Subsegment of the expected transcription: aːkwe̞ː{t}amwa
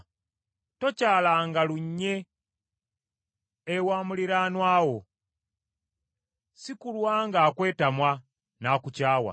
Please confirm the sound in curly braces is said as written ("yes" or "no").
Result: yes